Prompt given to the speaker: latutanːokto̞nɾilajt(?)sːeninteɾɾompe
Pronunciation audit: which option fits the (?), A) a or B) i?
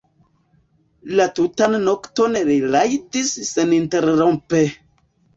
B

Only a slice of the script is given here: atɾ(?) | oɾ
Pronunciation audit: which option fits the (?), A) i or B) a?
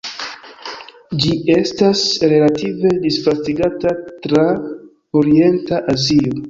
B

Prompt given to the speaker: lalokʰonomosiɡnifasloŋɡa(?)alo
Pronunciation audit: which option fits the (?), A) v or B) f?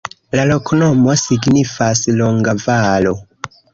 A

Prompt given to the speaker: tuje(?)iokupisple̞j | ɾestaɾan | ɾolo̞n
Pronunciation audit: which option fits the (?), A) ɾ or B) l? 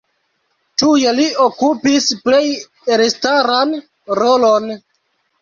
B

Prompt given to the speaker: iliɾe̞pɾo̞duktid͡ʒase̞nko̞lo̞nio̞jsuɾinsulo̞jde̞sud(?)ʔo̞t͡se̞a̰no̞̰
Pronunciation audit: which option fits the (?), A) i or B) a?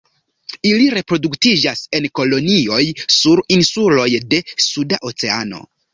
B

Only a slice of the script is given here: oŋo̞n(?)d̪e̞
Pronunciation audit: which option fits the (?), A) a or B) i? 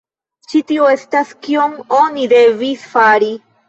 B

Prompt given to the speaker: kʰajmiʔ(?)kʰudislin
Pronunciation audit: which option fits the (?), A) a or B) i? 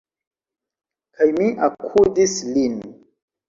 A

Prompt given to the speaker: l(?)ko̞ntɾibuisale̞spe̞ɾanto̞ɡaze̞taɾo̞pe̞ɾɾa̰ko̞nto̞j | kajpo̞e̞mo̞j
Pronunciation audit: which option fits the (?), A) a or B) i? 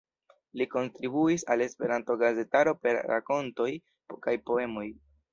B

